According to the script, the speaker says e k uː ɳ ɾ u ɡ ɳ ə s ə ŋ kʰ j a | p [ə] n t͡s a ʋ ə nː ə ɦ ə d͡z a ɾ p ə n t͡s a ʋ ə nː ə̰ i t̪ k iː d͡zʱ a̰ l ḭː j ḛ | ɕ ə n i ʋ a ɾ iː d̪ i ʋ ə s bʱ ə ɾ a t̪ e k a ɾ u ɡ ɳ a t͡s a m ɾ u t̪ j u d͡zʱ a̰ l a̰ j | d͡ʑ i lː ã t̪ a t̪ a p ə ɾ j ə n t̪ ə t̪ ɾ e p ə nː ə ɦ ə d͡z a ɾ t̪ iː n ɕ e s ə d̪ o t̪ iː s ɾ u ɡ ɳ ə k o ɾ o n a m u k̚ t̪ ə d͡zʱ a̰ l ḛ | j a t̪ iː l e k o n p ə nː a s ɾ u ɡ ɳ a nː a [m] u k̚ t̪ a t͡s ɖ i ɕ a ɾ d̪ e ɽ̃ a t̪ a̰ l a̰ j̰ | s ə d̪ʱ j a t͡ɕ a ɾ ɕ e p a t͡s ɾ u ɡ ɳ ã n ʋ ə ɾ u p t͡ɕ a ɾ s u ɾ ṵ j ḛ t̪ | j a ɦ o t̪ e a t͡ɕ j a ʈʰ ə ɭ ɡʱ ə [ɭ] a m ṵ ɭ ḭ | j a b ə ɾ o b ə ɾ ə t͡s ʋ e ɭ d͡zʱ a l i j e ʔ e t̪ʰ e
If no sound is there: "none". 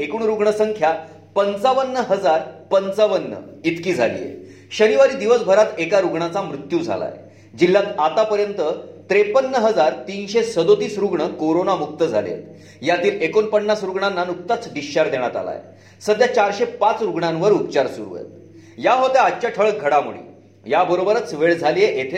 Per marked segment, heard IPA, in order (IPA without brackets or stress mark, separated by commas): ə, n, ɽ